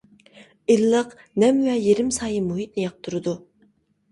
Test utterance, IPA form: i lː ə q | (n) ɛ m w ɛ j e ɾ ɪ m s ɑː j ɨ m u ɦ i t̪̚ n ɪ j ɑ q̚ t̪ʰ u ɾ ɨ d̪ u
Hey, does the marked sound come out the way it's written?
yes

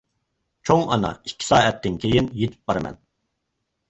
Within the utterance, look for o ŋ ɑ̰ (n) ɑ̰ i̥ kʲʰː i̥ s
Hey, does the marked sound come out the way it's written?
yes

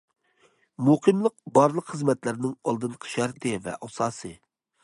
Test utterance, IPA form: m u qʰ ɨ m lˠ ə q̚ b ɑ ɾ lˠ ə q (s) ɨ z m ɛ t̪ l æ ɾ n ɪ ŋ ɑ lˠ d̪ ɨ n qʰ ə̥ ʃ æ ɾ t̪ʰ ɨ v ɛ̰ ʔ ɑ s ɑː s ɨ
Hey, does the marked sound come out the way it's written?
no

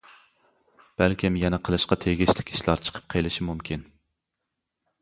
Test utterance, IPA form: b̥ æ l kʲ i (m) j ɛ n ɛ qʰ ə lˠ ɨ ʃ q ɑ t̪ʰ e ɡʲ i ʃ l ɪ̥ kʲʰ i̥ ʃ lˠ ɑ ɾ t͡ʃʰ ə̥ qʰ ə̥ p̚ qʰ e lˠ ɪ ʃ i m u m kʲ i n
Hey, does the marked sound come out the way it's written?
yes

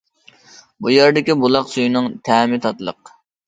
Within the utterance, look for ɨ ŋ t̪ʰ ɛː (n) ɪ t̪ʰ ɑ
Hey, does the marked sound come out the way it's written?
no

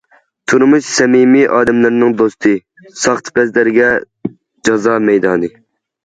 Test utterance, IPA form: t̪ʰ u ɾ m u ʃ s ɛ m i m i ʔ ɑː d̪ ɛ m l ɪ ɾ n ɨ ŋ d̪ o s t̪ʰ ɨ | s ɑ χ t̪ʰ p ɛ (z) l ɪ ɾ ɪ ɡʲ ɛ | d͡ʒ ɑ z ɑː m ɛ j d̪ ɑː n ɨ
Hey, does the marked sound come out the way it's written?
yes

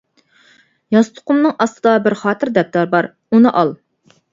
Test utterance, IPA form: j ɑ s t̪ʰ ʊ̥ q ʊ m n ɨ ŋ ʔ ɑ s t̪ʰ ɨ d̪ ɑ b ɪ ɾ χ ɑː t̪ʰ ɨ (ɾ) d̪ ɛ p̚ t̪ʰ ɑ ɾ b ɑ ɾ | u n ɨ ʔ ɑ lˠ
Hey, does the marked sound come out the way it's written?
yes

